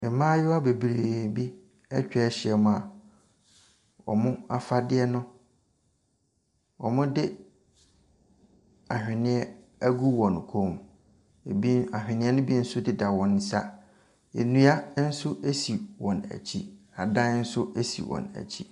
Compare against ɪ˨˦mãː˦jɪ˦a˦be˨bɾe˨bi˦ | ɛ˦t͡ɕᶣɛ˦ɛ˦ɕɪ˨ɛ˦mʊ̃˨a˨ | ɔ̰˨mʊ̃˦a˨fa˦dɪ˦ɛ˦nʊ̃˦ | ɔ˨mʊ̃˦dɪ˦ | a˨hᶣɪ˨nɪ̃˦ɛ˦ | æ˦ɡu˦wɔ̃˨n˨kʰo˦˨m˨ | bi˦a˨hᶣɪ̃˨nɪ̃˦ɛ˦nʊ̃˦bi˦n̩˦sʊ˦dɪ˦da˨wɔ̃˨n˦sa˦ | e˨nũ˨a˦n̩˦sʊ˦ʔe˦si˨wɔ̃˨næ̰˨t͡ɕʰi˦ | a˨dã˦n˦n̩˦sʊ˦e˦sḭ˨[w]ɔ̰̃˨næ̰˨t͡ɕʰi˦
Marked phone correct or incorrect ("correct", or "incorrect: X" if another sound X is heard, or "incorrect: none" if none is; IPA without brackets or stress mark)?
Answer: correct